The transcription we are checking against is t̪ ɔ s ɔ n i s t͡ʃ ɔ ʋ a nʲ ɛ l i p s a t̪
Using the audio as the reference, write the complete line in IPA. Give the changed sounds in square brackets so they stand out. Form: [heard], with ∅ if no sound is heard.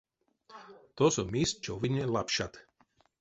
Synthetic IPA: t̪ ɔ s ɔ [m] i s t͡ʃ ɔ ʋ [i] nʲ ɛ l [a] p [ʃ] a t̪